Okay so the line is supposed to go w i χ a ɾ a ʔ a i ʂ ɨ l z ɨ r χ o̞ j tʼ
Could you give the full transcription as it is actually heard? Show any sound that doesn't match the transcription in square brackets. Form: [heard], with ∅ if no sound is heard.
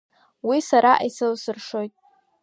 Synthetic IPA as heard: w i [s] a ɾ a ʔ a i [s] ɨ l [s] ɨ r [ʂ] o̞ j tʼ